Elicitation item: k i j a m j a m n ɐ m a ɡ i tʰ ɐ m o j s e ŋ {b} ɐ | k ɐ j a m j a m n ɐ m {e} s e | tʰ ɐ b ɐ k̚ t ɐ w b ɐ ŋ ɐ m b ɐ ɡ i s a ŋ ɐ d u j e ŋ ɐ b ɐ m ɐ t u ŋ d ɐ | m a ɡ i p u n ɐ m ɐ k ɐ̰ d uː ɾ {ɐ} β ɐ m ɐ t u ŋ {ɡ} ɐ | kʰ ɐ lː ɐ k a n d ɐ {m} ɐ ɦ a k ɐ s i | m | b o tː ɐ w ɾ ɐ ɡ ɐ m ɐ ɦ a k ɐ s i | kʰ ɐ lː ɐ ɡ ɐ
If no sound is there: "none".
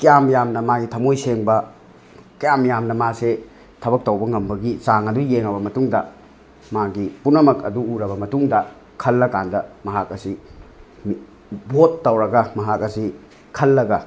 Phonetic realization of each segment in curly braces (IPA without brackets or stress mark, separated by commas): b, a, ɐ, d, m